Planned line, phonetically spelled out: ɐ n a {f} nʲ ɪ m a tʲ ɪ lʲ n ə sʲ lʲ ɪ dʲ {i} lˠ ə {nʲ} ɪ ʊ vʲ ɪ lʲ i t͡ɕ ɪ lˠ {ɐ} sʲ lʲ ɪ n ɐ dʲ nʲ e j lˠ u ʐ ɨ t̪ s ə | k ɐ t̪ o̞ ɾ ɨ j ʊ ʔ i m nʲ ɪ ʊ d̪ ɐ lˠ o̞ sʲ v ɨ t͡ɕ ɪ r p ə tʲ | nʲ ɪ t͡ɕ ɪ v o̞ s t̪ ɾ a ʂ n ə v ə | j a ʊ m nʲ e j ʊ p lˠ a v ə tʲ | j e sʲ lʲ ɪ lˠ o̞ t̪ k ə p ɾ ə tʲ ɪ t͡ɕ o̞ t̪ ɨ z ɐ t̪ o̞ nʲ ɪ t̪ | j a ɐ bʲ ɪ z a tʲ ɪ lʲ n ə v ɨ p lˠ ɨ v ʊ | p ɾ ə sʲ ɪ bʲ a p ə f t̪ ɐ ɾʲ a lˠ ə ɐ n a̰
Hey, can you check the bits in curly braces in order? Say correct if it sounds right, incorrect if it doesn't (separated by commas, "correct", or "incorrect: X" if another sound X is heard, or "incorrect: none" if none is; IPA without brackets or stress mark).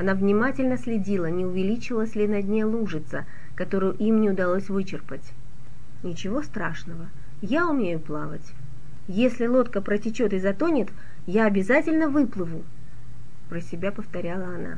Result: incorrect: v, correct, correct, incorrect: ə